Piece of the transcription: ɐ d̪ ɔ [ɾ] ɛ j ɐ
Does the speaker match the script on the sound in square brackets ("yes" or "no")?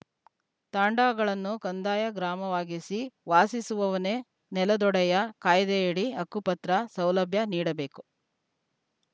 no